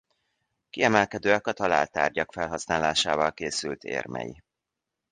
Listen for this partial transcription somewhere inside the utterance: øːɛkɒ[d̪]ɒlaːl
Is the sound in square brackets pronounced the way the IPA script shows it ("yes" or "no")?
no